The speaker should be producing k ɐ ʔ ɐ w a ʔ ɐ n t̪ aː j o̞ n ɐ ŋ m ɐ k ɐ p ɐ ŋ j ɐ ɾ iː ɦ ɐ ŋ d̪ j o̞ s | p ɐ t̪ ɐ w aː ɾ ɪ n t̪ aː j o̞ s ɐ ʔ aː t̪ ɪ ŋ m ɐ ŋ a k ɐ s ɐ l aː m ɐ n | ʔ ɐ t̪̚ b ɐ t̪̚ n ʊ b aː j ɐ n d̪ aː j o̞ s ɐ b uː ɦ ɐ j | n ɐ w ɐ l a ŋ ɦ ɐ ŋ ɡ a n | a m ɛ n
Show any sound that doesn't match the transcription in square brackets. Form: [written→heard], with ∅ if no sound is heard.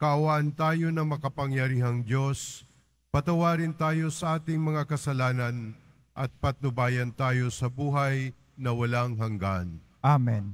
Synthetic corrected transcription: k ɐ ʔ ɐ w a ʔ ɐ n t̪ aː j o̞ n ɐ ŋ m ɐ k ɐ p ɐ ŋ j ɐ ɾ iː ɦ ɐ ŋ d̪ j o̞ s | p ɐ t̪ ɐ w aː ɾ ɪ n t̪ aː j o̞ s ɐ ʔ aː t̪ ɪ ŋ m ɐ ŋ a k ɐ s ɐ l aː [m→n] ɐ n | ʔ ɐ t̪̚ [b→p] ɐ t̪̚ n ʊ b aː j ɐ n [d̪→t̪] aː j o̞ s ɐ b uː ɦ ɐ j | n ɐ w ɐ l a ŋ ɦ ɐ ŋ ɡ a n | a m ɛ n